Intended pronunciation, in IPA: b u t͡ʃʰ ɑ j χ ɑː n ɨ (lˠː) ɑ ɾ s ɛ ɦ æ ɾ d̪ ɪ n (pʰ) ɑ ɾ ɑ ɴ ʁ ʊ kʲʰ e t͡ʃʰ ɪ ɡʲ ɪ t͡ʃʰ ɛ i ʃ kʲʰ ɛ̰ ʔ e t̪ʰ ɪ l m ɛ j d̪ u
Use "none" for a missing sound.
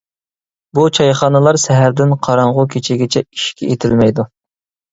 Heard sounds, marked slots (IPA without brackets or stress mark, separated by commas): lˠ, qʰ